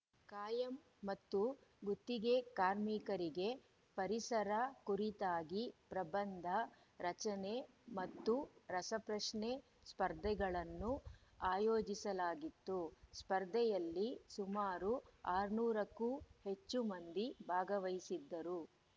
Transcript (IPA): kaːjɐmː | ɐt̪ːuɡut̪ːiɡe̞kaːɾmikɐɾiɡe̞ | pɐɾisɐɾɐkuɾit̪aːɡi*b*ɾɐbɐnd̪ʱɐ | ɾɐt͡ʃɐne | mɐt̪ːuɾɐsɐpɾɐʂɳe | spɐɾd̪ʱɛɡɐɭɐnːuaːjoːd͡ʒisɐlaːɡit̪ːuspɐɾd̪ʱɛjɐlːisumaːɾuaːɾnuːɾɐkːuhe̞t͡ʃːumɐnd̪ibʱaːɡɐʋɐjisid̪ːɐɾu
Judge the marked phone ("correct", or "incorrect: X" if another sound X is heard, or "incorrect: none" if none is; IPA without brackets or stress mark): incorrect: p